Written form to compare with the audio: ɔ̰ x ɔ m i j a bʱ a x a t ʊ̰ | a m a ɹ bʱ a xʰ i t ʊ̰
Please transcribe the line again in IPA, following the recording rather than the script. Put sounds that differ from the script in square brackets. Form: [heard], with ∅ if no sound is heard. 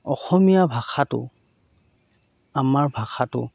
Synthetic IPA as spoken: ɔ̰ x ɔ m i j a bʱ a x a t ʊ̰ | a m a ɹ bʱ a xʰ [a] t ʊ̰

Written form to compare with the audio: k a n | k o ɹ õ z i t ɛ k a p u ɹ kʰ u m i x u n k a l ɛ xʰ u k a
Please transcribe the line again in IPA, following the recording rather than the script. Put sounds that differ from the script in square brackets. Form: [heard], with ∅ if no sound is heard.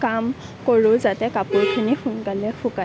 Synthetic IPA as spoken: k a [m] | k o ɹ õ z [a] t ɛ k a p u ɹ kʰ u [n] i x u n k a l ɛ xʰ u k a

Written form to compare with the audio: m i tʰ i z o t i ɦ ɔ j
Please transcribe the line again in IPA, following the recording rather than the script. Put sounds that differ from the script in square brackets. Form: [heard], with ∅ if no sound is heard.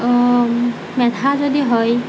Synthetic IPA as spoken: m [ɛ] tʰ [a] z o [d] i ɦ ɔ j

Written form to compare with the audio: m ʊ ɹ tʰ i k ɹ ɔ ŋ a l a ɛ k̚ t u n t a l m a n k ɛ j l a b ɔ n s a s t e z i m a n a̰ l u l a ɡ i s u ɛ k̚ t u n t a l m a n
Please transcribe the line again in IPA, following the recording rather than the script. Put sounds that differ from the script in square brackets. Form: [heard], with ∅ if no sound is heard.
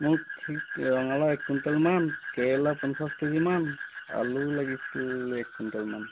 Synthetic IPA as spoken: m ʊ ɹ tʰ i k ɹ ɔ ŋ a l a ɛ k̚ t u n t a l m a n k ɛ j l a [p] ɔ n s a s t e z i m a n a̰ l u l a ɡ i s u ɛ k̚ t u n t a l m a n

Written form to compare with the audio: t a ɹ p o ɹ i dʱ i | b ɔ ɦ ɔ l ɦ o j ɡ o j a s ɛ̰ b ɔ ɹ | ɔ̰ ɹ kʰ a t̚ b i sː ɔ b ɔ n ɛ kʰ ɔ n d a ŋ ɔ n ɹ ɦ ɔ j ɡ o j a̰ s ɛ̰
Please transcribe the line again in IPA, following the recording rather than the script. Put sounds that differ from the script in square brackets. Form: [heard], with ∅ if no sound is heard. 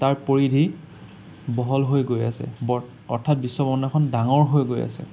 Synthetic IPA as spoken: t a ɹ p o ɹ i dʱ i | b ɔ ɦ ɔ l ɦ o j ɡ o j a s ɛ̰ b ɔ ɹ | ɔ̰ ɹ [tʰ] a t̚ b i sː ɔ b ɔ n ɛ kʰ ɔ n d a ŋ ɔ [∅] ɹ ɦ [o] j ɡ o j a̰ s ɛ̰

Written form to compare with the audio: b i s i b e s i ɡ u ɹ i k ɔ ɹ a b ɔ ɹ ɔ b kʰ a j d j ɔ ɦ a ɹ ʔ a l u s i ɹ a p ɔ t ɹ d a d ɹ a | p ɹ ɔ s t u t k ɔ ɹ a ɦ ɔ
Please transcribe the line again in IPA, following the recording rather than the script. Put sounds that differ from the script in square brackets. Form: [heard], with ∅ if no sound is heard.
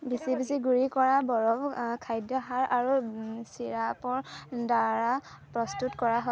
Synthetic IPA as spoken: b i s i b [i] s i ɡ u ɹ i k ɔ ɹ a b ɔ ɹ ɔ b kʰ a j d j ɔ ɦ a ɹ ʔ a [ɹ] u s i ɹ a p ɔ [∅] ɹ d a [∅] ɹ a | p ɹ ɔ s t u t k ɔ ɹ a ɦ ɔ

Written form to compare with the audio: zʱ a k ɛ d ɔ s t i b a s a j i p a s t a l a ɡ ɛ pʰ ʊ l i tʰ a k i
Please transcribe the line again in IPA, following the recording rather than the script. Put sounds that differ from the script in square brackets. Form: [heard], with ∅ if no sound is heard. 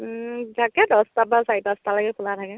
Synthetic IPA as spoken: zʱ a k ɛ d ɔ s t [a] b a s a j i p a s t a l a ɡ ɛ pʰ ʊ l [a] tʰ a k [ɛ]

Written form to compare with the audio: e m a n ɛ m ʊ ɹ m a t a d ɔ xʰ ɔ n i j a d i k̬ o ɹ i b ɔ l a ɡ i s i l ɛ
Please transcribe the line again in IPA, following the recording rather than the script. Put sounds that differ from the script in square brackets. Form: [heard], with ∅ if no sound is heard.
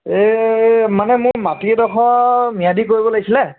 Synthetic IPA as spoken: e m a n ɛ m ʊ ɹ m a t [i] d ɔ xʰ ɔ [m] i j a d i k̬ o ɹ i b ɔ l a ɡ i s i l ɛ

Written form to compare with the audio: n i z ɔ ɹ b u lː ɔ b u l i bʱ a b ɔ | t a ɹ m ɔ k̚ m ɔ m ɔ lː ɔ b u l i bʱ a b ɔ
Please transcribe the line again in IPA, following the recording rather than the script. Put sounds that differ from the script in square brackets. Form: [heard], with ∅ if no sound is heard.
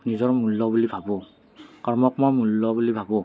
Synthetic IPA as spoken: n i z ɔ ɹ [m] u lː ɔ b u l i bʱ a b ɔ | [k] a ɹ m ɔ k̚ m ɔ m [u] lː ɔ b u l i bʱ a b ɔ

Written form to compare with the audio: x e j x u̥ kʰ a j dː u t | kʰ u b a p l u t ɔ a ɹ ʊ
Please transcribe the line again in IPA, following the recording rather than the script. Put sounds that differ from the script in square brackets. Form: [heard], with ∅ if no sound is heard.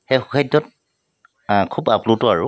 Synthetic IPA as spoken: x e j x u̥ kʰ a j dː [ɔ] t | kʰ u b a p l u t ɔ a ɹ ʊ

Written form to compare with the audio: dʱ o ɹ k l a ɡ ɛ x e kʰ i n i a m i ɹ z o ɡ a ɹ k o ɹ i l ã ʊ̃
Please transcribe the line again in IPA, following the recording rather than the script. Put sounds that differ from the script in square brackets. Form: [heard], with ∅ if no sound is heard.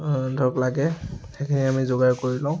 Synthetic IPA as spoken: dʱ [ɔ] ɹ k l a ɡ ɛ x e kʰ i n i a m i [∅] z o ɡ a ɹ k o ɹ i l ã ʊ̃

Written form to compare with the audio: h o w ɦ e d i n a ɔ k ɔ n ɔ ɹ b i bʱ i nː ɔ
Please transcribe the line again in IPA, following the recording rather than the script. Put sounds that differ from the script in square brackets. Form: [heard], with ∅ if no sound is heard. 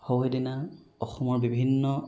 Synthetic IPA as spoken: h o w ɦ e d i n a ɔ [x] ɔ [m] ɔ ɹ b i bʱ i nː ɔ

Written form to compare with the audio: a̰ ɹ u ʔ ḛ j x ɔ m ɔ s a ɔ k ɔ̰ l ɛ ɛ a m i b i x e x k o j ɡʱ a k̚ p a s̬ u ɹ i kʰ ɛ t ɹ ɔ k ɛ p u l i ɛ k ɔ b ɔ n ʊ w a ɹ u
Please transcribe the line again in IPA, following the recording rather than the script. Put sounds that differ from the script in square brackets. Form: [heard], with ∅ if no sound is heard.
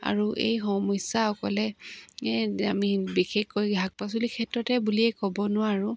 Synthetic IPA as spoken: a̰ ɹ u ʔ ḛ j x ɔ m ɔ s a ɔ k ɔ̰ l ɛ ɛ a m i b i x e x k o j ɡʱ a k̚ p a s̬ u [l] i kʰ ɛ t ɹ ɔ [t] ɛ [b] u l i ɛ k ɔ b ɔ n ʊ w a ɹ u

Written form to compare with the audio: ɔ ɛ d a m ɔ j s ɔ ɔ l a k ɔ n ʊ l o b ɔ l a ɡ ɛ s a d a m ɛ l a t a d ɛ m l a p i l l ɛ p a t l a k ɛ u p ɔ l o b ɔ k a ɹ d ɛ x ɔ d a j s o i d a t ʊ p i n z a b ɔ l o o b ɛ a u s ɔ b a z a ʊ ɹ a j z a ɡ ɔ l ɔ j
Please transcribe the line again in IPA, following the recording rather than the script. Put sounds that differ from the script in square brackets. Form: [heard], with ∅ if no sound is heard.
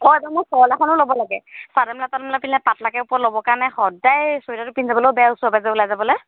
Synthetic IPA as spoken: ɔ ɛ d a m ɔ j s ɔ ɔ l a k ɔ n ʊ l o b ɔ l a ɡ ɛ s a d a m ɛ l a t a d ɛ m l a p i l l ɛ p a t l a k ɛ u p ɔ l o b ɔ k a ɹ [n] ɛ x ɔ d a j s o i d a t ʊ p i n z a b ɔ l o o b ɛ a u s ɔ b a z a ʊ [l] a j z a [b] ɔ l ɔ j

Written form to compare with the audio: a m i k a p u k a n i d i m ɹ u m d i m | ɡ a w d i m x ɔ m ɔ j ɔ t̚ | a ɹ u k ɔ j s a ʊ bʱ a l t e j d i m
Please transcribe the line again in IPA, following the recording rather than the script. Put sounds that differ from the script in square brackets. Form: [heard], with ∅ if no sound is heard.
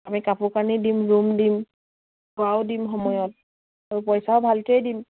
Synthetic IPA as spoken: a m i k a p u k a n i d i m ɹ u m d i m | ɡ a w d i m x ɔ m ɔ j ɔ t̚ | a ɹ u [p] ɔ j s a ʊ bʱ a l t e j d i m

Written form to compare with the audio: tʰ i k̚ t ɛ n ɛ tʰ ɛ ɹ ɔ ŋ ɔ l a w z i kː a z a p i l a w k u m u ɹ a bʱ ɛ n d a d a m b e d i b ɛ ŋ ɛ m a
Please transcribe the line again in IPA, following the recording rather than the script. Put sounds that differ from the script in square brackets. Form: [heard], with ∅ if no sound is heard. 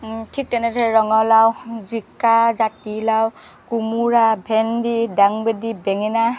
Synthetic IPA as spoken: tʰ i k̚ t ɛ n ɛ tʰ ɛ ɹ ɔ ŋ ɔ l a w z i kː a z a [t] i l a w k u m u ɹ a bʱ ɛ n d [i] d a [ŋ] b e d i b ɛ ŋ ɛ [n] a

